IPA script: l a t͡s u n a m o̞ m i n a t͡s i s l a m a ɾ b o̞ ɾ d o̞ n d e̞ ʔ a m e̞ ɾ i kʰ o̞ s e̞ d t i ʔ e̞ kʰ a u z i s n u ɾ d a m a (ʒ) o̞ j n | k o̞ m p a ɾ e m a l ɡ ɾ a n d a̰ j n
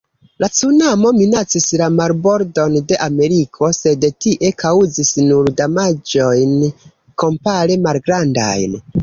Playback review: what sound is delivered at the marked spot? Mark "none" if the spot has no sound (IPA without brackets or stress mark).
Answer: d͡ʒ